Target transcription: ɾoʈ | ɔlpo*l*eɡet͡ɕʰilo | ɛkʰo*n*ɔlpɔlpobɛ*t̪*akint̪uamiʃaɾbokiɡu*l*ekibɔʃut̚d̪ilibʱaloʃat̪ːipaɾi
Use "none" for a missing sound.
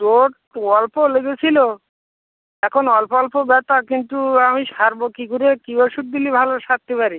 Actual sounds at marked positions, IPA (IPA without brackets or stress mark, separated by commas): l, n, t̪, ɾ